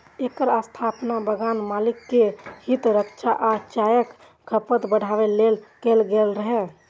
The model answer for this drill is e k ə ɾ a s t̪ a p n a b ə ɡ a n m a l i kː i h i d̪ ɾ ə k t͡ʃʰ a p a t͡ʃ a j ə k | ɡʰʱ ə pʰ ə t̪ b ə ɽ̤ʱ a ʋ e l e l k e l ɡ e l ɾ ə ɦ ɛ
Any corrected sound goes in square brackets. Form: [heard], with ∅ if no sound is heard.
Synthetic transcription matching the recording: e k ə ɾ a s [t̪ʰ] a p n a b ə ɡ a n m a l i kː [e] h i [t̪] ɾ ə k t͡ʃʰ a [ʔ] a t͡ʃ a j ə k | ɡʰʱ ə [p] ə t̪ b ə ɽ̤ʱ a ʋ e l e l k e l ɡ e l ɾ ə ɦ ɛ